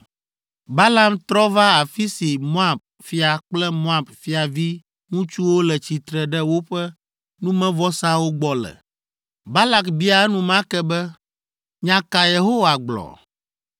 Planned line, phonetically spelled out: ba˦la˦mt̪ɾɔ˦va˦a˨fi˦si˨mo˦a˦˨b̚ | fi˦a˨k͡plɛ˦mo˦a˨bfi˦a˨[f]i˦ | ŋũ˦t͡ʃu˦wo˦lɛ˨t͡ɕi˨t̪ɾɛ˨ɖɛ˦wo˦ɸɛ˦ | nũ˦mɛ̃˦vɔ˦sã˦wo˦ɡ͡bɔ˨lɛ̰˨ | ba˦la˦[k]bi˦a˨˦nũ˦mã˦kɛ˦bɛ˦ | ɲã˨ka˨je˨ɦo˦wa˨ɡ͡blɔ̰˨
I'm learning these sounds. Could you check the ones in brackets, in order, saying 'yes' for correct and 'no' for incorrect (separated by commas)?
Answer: no, yes